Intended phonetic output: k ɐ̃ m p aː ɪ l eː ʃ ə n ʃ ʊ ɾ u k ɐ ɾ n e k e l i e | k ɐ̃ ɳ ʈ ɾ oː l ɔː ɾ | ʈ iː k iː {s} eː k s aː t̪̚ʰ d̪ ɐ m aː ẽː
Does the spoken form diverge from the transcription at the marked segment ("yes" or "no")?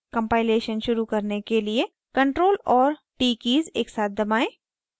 yes